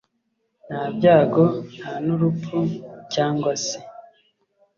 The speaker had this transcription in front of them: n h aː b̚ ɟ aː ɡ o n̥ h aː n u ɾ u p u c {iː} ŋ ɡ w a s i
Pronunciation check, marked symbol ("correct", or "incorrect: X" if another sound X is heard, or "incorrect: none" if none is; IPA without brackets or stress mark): incorrect: aː